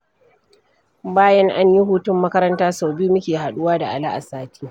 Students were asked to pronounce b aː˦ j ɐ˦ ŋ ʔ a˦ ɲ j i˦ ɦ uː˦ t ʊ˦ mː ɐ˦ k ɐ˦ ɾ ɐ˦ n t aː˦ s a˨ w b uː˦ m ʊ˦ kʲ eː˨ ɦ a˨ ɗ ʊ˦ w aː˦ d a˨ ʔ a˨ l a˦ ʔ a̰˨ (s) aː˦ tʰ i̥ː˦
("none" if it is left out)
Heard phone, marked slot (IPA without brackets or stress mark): s